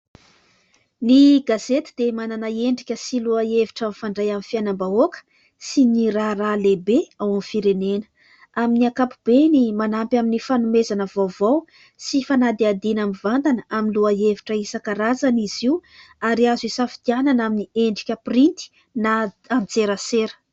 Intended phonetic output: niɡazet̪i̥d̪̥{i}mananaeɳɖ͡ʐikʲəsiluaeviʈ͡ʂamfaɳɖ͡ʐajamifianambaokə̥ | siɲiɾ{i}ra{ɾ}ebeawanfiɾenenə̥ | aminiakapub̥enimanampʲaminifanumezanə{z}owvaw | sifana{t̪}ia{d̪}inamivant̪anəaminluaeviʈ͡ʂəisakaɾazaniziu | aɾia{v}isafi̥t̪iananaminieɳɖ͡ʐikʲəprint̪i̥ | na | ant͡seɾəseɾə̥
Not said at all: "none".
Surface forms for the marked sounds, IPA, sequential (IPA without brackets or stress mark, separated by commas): e, a, l, v, d̪, d̪, z